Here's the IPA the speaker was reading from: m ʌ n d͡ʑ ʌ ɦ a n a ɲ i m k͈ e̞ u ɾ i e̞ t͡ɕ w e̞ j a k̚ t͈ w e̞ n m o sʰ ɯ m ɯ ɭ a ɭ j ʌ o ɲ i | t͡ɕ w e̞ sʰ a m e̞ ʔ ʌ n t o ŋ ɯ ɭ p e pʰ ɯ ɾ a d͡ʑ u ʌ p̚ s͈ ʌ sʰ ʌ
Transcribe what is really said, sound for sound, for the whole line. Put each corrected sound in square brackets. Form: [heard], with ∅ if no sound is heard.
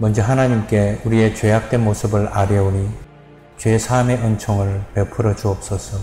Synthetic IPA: m ʌ n d͡ʑ ʌ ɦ a n a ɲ i m k͈ e̞ u ɾ i e̞ t͡ɕ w e̞ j a k̚ t͈ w e̞ n m o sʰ ɯ [b] ɯ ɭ a [ɾ] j ʌ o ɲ i | t͡ɕ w e̞ sʰ a m e̞ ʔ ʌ n [t͡ɕʰ] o ŋ ɯ ɭ p e pʰ ɯ ɾ [ʌ] d͡ʑ u ʌ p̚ s͈ ʌ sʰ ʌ